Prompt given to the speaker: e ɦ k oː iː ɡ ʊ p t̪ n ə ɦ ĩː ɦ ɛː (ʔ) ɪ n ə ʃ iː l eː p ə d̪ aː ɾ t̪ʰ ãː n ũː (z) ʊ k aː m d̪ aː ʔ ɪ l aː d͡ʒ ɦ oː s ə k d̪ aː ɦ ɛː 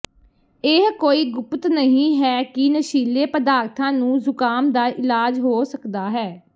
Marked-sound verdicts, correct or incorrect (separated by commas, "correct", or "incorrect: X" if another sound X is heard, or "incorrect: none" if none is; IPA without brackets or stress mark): incorrect: k, correct